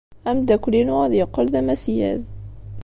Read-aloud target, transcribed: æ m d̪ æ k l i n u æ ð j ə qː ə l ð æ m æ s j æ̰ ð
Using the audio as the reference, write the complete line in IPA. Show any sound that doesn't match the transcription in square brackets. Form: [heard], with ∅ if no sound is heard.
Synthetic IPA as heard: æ m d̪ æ k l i n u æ ð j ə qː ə l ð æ m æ s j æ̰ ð